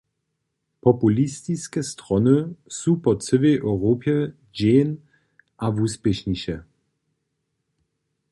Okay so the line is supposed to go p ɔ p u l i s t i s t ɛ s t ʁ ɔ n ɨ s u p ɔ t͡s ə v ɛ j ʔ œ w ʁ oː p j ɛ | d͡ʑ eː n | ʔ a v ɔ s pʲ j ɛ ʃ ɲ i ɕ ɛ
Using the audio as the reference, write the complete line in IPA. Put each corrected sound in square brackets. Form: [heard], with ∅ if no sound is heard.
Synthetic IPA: p ɔ p u l i s t i s [k] ɛ s t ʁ ɔ n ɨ s u p ɔ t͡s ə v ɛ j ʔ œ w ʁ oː p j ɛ | d͡ʑ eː n | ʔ a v [u] s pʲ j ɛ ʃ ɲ i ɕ ɛ